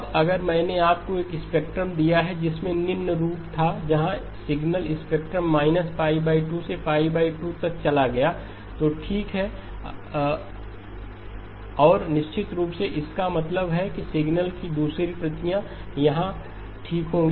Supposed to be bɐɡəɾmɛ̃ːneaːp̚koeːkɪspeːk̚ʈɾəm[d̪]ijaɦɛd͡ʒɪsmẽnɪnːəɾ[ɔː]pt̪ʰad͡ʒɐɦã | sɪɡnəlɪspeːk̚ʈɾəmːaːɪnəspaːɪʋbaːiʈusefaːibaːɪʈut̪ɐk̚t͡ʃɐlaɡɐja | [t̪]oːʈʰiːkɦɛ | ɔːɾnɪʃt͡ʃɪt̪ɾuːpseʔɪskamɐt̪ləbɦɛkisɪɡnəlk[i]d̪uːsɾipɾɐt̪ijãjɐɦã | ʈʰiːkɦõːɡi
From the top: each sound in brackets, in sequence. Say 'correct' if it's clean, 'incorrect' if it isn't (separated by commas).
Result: correct, incorrect, correct, correct